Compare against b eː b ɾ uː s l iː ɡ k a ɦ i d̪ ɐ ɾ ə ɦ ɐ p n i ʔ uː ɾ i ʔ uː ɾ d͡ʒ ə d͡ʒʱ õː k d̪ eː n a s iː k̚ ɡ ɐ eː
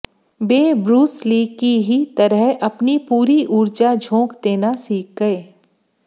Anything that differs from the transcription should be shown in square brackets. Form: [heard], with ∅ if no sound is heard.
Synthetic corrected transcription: b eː b ɾ uː s l iː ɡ k [i] ɦ i [t̪] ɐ ɾ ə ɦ ɐ p n i [p] uː ɾ i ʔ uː ɾ d͡ʒ [a] d͡ʒʱ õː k d̪ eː n a s iː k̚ ɡ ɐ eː